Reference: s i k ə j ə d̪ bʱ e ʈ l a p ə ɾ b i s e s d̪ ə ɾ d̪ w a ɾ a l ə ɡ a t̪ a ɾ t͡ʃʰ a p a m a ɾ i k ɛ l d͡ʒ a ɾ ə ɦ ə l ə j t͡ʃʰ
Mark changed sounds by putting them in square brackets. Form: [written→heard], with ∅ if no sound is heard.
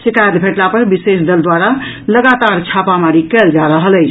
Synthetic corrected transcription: s i k [ə→a] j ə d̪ bʱ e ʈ l a p ə ɾ b i s e s d̪ ə [ɾ→l] d̪ w a ɾ a l ə ɡ a t̪ a ɾ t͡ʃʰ a p a m a ɾ i k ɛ l d͡ʒ a ɾ ə ɦ ə l ə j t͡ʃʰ

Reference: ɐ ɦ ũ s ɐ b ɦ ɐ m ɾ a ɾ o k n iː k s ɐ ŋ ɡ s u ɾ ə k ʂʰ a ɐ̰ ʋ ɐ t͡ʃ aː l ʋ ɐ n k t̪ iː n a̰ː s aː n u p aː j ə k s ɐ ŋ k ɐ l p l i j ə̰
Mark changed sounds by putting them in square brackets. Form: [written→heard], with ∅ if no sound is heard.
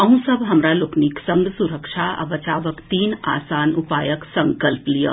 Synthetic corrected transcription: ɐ ɦ ũ s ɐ b ɦ ɐ m ɾ a [ɾ→l] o k n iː k s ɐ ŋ ɡ s u ɾ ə k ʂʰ a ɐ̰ ʋ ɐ t͡ʃ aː [l→∅] ʋ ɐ [n→∅] k t̪ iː n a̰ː s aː n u p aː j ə k s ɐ ŋ k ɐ l p l i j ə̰

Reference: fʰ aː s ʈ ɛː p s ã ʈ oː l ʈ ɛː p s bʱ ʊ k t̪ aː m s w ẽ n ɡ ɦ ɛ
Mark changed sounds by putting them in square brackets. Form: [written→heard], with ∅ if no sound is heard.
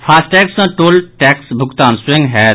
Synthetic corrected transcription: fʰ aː s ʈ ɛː [p→k] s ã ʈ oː l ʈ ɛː [p→k] s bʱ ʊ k t̪ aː [m→n] s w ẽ [n→ŋ] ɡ ɦ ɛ

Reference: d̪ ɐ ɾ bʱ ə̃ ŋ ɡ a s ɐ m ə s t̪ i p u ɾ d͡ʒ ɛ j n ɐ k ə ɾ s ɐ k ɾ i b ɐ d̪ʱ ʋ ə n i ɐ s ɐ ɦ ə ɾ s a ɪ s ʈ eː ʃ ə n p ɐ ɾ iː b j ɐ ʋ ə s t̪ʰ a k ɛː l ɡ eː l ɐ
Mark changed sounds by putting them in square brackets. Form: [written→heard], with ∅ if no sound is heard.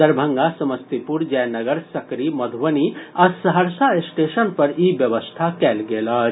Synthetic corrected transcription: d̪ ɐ ɾ bʱ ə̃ ŋ ɡ a s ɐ m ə s t̪ i p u ɾ d͡ʒ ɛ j n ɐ [k→ɡ] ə ɾ s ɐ k ɾ i [b→m] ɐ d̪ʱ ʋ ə n i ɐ s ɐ ɦ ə ɾ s a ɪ s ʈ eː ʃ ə n p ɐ ɾ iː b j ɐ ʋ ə s t̪ʰ a k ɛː l ɡ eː l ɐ

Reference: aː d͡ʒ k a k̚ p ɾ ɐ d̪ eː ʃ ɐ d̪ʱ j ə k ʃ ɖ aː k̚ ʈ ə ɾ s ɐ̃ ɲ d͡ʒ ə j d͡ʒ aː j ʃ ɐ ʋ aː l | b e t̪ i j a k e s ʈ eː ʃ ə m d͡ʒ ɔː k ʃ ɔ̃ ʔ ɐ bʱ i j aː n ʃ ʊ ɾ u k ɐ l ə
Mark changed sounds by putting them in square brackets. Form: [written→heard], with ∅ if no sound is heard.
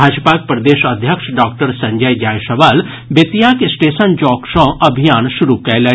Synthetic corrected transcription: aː d͡ʒ [k→p] a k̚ p ɾ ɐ d̪ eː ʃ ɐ d̪ʱ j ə k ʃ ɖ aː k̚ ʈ ə ɾ s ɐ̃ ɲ d͡ʒ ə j d͡ʒ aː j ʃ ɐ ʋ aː l | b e t̪ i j a k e s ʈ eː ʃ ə [m→n] d͡ʒ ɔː k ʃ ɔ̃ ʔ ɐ bʱ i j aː n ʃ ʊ ɾ u k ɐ l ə

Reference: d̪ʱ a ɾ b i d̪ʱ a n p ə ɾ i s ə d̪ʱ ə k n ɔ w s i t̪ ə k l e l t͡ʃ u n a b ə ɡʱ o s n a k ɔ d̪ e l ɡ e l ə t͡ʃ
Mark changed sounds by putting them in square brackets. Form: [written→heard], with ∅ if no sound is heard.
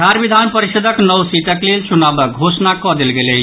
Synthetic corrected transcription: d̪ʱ a ɾ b i d̪ʱ a n p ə ɾ i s ə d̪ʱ ə k n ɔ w s i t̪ ə k l e l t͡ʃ u n a b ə ɡʱ o s n a k ɔ d̪ e l ɡ e l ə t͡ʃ

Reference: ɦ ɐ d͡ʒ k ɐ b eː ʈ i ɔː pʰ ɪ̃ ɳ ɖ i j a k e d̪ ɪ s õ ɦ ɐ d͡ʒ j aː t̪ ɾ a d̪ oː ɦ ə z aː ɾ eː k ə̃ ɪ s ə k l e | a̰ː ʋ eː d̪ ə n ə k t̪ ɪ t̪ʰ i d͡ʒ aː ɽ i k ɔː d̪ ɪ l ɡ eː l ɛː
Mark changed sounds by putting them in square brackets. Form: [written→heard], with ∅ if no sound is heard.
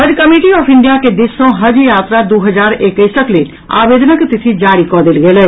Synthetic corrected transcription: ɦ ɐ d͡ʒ k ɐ [b→m] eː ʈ i ɔː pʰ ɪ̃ ɳ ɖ i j a k e d̪ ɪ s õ ɦ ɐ d͡ʒ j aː t̪ ɾ a d̪ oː ɦ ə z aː ɾ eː k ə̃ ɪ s ə k l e | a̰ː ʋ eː d̪ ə n ə k t̪ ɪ t̪ʰ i d͡ʒ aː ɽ i k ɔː d̪ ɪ l ɡ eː l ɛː

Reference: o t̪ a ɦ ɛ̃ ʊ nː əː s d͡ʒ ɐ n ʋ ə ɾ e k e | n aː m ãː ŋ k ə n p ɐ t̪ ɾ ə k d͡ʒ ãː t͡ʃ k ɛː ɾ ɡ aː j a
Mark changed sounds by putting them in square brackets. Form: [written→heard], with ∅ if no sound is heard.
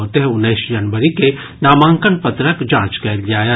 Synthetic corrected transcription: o t̪ [a→e] ɦ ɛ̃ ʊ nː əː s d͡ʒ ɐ n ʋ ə ɾ [e→i] k e | n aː m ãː ŋ k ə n p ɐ t̪ ɾ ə k d͡ʒ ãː t͡ʃ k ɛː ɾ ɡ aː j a

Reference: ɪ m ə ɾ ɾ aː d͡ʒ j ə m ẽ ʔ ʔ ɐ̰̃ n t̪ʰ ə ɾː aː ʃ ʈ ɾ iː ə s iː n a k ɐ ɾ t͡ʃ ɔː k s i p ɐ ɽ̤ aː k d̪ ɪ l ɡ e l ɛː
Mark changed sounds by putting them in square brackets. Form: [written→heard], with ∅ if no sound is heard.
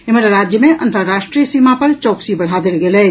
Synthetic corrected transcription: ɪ m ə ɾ ɾ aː d͡ʒ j ə m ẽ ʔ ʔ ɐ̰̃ n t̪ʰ ə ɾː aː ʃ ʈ ɾ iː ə s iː [n→m] a [k→p] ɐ ɾ t͡ʃ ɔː k s i [p→b] ɐ ɽ̤ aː [k→∅] d̪ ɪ l ɡ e l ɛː

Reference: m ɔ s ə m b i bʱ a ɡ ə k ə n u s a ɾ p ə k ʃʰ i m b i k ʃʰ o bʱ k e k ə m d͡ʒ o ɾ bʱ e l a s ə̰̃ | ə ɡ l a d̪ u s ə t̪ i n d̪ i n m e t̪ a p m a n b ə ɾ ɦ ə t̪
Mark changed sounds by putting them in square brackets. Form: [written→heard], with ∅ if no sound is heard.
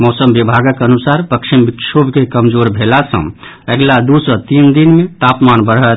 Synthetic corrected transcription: m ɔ s ə m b i bʱ a ɡ ə k ə n u s a ɾ p ə k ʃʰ i m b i k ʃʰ o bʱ k e k ə m d͡ʒ o ɾ bʱ e l a s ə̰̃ | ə ɡ l a d̪ u s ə t̪ i n d̪ i n m e t̪ a p m a n b ə ɾ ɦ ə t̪

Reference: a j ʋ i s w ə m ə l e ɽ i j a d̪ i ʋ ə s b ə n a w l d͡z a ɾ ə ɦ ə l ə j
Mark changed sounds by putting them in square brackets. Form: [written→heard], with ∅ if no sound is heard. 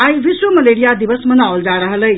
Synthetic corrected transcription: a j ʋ i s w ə m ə l e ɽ i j a d̪ i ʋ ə s [b→m] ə n a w l d͡z a ɾ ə ɦ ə l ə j

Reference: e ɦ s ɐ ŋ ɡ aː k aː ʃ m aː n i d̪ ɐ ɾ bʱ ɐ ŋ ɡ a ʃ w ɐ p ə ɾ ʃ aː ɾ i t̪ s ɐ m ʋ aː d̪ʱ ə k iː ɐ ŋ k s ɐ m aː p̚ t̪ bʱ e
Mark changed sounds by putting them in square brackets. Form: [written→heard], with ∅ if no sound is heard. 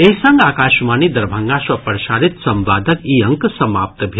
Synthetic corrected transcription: e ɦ s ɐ ŋ ɡ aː k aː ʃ m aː n i d̪ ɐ ɾ bʱ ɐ ŋ ɡ a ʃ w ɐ p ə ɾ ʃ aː ɾ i t̪ s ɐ m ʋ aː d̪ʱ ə k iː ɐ ŋ k s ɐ m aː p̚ t̪ bʱ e

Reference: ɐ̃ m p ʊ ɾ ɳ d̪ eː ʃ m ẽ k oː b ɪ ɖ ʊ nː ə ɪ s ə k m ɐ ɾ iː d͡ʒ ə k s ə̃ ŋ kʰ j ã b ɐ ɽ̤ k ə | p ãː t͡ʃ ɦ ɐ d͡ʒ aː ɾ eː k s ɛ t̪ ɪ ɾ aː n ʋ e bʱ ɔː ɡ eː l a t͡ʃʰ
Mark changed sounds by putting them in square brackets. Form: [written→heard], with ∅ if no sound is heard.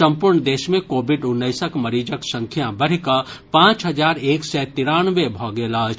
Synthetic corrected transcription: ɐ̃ m p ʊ ɾ ɳ d̪ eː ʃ m ẽ k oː b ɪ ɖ ʊ nː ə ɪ s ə k m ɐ ɾ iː d͡ʒ ə k s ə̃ ŋ kʰ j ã b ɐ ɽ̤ k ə | p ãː t͡ʃ ɦ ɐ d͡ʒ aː ɾ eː k s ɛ t̪ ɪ ɾ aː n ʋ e bʱ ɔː ɡ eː l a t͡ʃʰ

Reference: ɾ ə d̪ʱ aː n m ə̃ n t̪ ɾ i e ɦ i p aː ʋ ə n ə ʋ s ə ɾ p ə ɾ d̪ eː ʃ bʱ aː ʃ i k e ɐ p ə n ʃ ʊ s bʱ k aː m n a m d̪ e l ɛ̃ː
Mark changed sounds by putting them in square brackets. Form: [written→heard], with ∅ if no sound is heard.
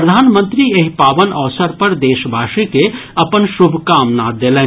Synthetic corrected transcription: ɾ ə d̪ʱ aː n m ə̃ n t̪ ɾ i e ɦ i p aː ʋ ə n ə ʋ s ə ɾ p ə ɾ d̪ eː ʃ bʱ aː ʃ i k e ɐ p ə n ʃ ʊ [s→∅] bʱ k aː m n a [m→∅] d̪ e l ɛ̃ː

